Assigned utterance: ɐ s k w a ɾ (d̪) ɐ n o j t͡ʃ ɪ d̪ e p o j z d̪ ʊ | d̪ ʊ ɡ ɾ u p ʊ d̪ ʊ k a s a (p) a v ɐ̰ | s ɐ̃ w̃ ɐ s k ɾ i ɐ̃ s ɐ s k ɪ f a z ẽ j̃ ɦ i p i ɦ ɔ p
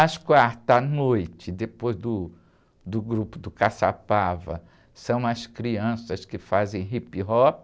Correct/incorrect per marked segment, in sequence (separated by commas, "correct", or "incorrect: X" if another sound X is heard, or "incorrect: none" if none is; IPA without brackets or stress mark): incorrect: t̪, correct